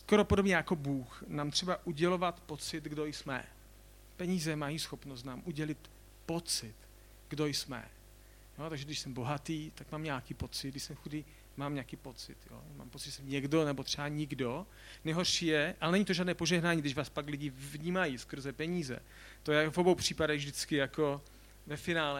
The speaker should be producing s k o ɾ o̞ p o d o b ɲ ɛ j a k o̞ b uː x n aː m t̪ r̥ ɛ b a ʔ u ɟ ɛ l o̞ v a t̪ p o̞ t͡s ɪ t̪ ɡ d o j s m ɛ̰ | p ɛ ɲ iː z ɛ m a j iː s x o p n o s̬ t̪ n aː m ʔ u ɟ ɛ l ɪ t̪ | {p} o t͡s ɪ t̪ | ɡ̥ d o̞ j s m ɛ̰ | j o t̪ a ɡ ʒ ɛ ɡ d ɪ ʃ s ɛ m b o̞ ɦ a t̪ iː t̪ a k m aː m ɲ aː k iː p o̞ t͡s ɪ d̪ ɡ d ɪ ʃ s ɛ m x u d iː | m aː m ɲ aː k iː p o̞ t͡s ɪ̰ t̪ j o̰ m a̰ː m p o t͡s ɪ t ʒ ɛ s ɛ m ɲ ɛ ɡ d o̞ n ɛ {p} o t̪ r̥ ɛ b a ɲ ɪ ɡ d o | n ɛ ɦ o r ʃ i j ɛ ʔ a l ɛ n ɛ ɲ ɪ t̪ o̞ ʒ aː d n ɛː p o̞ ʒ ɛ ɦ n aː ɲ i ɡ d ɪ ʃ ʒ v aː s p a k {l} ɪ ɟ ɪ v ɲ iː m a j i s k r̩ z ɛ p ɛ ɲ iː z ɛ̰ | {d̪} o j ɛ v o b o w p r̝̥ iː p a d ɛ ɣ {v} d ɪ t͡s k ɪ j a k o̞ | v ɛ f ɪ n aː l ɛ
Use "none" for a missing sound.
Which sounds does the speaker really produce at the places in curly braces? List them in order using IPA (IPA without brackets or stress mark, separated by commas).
p, b, l, t̪, v